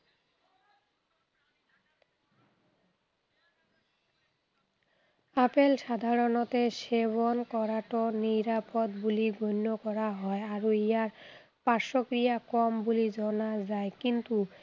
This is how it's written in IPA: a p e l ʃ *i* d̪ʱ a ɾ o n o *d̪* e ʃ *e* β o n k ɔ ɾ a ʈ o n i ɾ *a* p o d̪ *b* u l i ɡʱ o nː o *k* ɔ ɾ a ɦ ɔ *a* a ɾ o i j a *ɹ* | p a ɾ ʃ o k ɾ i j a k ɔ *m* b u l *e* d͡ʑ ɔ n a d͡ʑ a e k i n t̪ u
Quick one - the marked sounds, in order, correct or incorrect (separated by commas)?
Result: incorrect, incorrect, correct, correct, correct, correct, incorrect, incorrect, correct, incorrect